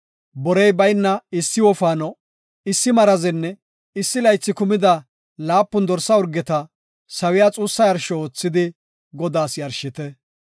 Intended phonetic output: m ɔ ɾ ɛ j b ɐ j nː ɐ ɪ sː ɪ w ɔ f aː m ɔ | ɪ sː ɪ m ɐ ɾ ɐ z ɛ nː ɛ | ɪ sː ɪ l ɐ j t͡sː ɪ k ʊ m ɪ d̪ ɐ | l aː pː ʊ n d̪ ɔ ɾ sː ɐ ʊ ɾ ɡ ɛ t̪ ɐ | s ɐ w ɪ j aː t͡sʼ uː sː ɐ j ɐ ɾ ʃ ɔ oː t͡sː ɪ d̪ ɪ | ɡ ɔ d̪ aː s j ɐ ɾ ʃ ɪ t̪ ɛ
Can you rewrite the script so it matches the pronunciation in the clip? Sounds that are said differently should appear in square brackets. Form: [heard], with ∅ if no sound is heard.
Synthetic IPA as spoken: [b] ɔ ɾ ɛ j b ɐ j nː ɐ ɪ sː ɪ w ɔ f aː [n] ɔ | ɪ sː ɪ m ɐ ɾ ɐ z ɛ nː ɛ | ɪ sː ɪ l ɐ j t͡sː ɪ k ʊ m ɪ d̪ ɐ | l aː pː ʊ n d̪ ɔ ɾ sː ɐ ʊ ɾ ɡ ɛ t̪ ɐ | s ɐ w ɪ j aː t͡sʼ uː sː ɐ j ɐ ɾ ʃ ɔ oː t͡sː ɪ d̪ ɪ | ɡ ɔ d̪ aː s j ɐ ɾ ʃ ɪ t̪ ɛ